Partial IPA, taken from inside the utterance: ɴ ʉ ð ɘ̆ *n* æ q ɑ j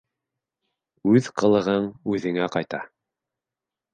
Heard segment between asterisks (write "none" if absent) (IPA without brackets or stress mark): ŋ